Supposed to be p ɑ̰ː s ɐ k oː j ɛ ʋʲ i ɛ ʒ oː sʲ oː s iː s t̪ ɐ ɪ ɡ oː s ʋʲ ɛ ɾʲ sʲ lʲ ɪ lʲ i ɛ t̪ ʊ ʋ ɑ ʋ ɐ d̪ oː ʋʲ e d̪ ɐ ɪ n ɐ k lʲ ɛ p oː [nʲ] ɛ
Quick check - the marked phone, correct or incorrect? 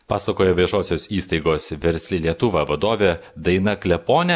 correct